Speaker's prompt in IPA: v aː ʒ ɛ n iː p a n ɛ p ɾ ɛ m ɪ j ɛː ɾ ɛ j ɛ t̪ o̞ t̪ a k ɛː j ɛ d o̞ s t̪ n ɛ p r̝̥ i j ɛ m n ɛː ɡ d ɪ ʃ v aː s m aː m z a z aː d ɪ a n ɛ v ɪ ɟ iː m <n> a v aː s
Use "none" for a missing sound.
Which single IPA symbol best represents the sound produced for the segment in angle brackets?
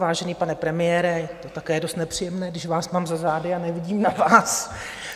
n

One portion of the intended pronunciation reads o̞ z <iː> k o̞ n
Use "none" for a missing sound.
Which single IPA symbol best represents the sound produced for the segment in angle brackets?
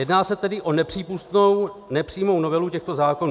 aː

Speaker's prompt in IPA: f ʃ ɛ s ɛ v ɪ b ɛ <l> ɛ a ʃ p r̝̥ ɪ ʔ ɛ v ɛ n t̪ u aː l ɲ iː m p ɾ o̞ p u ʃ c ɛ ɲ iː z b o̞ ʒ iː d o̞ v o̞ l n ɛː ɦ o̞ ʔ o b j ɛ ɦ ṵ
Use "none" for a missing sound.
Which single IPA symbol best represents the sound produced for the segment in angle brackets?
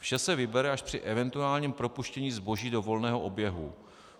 ɾ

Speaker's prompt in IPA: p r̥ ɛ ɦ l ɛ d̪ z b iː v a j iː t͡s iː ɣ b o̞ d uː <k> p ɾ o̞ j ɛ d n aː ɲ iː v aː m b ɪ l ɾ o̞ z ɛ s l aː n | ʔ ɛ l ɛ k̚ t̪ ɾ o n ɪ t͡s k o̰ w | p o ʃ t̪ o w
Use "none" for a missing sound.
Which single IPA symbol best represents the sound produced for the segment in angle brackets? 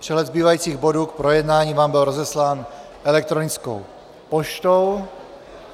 k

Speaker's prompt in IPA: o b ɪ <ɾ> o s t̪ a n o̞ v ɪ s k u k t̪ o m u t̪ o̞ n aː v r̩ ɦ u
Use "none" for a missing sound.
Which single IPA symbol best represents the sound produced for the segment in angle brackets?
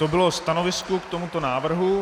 l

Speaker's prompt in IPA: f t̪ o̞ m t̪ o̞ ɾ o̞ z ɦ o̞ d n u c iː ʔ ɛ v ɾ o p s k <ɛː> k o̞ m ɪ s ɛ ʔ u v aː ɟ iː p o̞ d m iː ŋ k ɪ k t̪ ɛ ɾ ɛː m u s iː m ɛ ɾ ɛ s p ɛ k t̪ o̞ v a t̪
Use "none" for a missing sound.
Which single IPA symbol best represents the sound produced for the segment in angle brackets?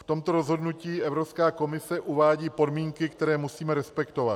aː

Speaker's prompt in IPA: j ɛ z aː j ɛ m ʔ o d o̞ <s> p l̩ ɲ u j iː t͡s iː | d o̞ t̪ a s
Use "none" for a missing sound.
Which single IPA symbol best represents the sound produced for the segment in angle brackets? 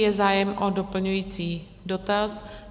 none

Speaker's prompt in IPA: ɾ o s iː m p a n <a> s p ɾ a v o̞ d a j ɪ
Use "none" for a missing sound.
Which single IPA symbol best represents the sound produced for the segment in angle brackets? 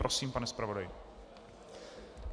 ɛ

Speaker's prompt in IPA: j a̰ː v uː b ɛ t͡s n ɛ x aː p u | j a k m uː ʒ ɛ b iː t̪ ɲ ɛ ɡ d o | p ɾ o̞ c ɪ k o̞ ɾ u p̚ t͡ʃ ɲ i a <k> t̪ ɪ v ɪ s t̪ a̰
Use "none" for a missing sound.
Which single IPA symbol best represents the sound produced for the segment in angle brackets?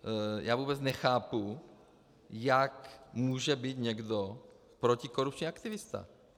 k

